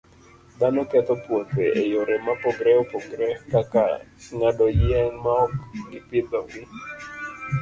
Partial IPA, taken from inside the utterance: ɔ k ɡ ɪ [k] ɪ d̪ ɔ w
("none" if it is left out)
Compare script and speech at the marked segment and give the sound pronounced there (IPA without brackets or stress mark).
p